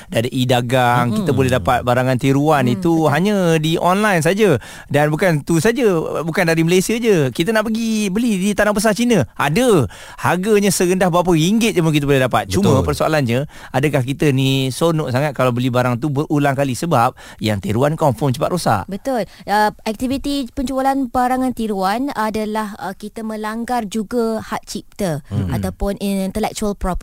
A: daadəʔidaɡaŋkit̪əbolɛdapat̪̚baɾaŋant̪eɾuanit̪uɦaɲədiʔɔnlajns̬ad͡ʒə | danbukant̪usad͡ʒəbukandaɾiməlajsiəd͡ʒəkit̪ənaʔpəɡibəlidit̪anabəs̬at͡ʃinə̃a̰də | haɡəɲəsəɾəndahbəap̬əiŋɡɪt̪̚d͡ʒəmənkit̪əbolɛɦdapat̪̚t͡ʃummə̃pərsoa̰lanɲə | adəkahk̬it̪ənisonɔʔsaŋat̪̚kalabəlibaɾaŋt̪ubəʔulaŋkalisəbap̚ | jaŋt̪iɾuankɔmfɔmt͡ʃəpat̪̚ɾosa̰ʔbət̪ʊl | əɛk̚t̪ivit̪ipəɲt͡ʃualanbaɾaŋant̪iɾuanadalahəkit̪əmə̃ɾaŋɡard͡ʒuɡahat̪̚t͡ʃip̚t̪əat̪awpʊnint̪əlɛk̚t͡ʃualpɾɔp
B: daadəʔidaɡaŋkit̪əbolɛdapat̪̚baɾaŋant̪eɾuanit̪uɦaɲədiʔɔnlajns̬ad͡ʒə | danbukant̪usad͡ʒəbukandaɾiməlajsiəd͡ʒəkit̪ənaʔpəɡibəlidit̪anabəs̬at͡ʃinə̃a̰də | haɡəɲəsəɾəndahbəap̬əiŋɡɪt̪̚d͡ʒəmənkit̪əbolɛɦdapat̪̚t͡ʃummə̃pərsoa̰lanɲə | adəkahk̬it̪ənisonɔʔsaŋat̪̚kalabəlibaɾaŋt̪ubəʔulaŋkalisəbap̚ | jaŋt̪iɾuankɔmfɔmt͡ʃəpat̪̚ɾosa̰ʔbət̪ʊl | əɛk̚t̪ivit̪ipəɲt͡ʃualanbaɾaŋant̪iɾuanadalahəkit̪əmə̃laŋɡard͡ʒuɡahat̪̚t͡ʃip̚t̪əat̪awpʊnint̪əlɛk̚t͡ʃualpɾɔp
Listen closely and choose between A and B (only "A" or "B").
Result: B